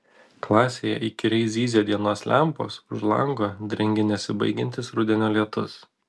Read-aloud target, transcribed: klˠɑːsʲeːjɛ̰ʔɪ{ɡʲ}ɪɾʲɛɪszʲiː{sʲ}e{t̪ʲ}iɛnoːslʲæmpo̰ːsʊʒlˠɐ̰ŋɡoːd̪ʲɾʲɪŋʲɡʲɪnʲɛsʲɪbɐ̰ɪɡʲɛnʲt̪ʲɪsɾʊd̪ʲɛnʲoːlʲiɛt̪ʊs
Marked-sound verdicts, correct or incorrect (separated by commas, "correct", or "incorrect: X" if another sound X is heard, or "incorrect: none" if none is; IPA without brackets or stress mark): incorrect: kʲ, incorrect: zʲ, incorrect: d̪ʲ